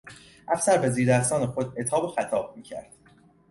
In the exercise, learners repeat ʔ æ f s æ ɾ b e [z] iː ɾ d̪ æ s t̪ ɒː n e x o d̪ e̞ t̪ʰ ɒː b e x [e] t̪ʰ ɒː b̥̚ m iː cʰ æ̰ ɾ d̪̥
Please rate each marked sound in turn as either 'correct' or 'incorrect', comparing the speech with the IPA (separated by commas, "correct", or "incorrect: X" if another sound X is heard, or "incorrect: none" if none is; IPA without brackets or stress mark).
correct, incorrect: æ